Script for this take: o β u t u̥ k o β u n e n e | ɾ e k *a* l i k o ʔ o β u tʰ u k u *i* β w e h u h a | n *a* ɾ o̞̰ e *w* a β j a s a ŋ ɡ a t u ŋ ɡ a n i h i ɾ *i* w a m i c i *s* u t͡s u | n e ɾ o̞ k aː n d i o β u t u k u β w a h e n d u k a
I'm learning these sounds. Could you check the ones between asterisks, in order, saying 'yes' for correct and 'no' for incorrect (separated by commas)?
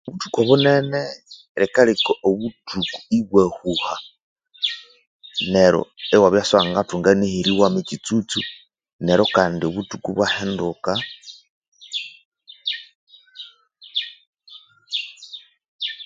yes, yes, no, yes, yes, no